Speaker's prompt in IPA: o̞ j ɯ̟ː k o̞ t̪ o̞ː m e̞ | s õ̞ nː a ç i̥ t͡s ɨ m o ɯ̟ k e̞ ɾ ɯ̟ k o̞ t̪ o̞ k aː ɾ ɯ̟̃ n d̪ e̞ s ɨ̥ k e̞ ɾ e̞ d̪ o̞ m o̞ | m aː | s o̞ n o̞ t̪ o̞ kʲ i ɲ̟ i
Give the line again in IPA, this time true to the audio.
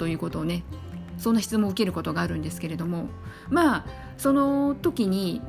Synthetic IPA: o̞ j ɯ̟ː k o̞ t̪ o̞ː n e̞ | s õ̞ nː a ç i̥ t͡s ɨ m o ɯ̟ k e̞ ɾ ɯ̟ k o̞ t̪ o̞ ɡ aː ɾ ɯ̟̃ n d̪ e̞ s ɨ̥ k e̞ ɾ e̞ d̪ o̞ m o̞ | m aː | s o̞ n o̞ t̪ o̞ kʲ i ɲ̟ i